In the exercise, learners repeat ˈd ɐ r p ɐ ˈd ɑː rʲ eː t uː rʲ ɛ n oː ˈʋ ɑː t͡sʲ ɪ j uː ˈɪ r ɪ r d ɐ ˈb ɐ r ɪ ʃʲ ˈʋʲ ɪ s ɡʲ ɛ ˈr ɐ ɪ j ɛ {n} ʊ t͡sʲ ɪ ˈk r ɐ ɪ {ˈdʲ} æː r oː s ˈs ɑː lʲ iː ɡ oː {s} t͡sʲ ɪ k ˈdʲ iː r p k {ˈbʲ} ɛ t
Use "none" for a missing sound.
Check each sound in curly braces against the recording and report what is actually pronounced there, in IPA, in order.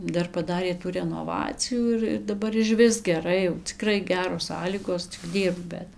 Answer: none, ɡʲ, s, bʲ

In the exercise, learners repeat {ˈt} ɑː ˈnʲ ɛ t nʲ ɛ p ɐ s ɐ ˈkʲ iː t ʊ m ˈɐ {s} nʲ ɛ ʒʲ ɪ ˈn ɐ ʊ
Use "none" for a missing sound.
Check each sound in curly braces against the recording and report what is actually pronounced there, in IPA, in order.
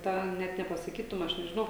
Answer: t, ʃ

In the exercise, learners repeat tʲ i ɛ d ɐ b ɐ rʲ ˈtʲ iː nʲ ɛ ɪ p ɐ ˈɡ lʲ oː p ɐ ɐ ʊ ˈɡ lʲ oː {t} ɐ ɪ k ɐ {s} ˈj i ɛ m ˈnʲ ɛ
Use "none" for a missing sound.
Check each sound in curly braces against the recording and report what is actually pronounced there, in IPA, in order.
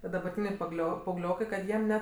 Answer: k, t

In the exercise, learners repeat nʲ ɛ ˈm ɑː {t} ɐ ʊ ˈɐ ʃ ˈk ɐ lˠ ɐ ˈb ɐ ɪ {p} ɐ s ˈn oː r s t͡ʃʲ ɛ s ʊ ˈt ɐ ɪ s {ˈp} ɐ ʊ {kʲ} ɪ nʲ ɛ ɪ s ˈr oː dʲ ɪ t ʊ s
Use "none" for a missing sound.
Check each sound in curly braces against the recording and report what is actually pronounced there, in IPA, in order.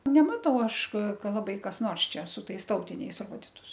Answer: t, k, t, tʲ

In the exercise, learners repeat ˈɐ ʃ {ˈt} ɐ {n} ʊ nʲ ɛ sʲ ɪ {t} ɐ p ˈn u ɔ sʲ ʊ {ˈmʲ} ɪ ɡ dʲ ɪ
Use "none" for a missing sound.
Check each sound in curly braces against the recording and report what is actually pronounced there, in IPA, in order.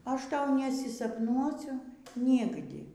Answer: t, none, s, nʲ

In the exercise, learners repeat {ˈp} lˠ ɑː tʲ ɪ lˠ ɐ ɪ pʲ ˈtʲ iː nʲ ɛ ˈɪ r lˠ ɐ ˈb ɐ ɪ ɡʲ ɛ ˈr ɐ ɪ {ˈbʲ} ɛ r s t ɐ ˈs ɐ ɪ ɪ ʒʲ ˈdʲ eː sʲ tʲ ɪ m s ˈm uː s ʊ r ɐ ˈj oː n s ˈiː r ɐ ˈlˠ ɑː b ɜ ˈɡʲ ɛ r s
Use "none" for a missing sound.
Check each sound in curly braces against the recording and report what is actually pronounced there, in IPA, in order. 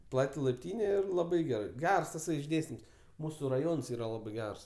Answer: p, ɡʲ

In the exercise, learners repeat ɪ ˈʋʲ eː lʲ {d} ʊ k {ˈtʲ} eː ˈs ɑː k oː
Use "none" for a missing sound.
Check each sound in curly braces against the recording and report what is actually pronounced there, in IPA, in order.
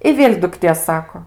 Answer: d, tʲ

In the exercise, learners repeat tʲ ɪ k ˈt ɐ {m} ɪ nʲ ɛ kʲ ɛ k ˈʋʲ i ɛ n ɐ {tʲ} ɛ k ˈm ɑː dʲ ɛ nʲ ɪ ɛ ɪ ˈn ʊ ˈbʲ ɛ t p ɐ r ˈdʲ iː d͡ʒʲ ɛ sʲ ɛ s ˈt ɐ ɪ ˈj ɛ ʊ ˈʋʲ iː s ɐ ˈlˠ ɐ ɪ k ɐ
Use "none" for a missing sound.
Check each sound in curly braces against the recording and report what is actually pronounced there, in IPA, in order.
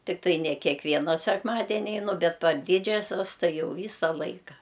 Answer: none, sʲ

